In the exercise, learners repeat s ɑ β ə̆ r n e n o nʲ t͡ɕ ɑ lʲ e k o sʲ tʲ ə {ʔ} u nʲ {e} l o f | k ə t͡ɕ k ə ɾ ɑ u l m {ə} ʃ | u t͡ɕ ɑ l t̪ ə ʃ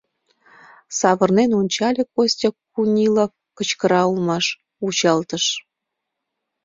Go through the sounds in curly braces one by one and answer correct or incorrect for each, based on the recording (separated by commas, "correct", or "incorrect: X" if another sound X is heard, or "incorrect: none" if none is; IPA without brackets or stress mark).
incorrect: k, incorrect: i, incorrect: ɑ